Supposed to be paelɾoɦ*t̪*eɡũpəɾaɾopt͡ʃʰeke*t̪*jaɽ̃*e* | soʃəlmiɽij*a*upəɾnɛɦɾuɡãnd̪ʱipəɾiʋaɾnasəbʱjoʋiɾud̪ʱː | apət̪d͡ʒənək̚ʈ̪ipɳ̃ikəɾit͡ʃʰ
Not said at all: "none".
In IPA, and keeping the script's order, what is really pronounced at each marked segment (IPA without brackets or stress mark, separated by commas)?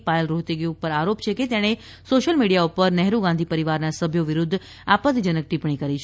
t̪, t̪, e, a